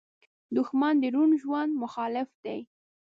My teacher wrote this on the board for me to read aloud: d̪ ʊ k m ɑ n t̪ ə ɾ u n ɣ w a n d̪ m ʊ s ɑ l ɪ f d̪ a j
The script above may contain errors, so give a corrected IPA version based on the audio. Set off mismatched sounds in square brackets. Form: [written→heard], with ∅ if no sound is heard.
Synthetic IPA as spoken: d̪ ʊ [k→x] m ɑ n [t̪→d̪] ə ɾ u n [ɣ→ʒ] w a n d̪ m ʊ [s→x] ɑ l ɪ f d̪ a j